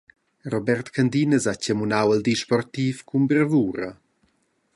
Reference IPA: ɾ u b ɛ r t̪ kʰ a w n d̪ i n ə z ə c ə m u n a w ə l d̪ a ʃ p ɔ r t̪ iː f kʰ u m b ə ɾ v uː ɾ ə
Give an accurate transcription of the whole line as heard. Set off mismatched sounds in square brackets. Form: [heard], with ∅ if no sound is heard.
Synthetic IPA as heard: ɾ [ɔ] b ɛ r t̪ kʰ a [∅] n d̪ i n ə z [a] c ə m u n a w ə l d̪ [i] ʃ p ɔ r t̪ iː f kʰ u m b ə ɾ v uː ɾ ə